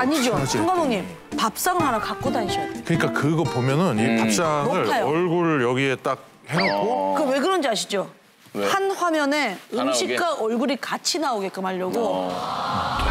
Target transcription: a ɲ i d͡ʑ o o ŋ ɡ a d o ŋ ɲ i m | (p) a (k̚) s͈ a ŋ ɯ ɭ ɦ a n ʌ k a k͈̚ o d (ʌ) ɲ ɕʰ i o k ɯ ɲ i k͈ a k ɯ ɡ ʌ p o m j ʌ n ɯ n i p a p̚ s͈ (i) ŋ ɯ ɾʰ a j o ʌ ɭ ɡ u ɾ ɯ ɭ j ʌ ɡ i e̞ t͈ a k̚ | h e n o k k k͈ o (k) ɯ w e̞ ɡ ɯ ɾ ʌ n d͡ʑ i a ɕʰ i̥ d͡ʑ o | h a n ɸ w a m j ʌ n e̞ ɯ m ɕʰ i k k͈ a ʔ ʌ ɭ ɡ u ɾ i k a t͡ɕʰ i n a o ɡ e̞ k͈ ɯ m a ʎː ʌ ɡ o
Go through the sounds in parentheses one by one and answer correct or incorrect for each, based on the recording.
correct, incorrect, incorrect, incorrect, correct

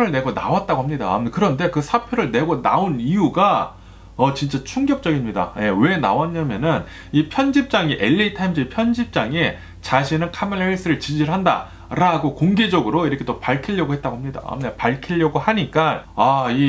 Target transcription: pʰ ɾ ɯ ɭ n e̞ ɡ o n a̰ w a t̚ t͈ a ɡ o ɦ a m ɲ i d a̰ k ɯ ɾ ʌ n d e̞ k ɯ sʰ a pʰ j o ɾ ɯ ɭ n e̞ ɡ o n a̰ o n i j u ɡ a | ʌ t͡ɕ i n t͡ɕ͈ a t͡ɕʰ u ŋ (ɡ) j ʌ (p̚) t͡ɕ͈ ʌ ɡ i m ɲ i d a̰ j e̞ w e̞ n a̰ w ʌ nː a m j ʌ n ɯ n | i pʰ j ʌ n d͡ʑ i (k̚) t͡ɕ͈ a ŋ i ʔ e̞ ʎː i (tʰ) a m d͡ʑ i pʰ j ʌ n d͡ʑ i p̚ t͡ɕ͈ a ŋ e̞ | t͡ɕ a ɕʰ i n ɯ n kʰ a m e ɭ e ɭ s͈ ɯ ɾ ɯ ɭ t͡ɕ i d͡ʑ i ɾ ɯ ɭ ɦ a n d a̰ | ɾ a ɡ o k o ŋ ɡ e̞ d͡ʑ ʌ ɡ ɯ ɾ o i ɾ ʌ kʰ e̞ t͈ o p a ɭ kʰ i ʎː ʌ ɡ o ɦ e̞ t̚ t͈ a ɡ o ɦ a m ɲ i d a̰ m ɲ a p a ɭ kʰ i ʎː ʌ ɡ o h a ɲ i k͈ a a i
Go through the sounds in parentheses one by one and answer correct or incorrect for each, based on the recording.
correct, correct, incorrect, correct

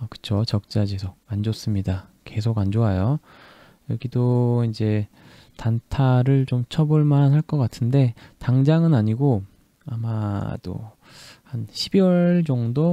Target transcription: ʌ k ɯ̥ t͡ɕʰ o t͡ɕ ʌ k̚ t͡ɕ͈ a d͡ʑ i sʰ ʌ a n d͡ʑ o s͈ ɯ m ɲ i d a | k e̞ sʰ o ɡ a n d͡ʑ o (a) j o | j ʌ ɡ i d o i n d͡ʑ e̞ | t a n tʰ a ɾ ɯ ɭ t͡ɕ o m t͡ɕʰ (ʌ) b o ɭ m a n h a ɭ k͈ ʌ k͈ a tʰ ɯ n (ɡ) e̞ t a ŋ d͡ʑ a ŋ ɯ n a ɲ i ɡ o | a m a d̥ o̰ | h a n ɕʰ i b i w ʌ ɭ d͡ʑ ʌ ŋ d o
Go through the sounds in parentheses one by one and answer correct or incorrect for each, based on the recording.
correct, correct, incorrect

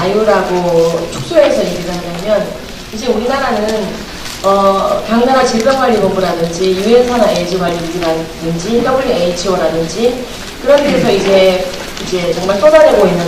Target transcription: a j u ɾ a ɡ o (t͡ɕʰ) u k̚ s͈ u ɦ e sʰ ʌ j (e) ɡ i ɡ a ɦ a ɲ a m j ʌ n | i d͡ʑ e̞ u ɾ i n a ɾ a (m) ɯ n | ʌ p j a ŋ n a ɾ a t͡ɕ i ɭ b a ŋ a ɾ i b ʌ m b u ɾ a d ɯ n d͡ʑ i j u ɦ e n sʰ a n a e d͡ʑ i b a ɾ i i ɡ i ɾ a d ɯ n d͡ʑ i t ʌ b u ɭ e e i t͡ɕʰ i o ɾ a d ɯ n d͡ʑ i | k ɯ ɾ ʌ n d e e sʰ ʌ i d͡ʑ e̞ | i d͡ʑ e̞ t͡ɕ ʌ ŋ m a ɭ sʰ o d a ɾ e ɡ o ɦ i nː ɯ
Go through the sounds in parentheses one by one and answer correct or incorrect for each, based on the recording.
correct, correct, incorrect

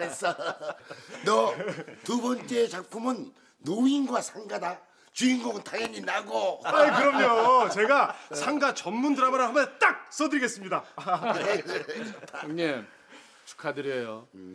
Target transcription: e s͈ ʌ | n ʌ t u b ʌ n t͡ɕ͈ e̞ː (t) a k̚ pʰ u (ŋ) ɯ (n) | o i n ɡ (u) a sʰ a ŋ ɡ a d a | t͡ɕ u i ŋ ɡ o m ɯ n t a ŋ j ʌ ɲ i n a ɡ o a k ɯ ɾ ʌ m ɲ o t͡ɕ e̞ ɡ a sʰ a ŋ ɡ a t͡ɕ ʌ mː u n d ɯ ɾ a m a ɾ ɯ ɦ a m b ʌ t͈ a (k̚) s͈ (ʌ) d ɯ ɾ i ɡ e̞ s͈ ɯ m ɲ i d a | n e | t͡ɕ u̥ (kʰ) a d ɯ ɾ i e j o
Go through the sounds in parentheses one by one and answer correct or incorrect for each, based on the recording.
incorrect, incorrect, incorrect, incorrect, correct, correct, correct

